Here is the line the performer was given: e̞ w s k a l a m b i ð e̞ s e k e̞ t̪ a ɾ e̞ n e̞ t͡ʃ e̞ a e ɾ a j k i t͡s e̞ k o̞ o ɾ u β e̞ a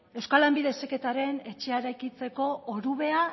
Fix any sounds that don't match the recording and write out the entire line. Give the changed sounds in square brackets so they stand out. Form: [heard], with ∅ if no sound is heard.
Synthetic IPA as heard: e̞ w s k a l a m b i ð e̞ s e k e̞ t̪ a ɾ e̞ n e̞ t͡ʃ e̞ a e ɾ a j k i t͡s e̞ k o̞ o ɾ u β e̞ a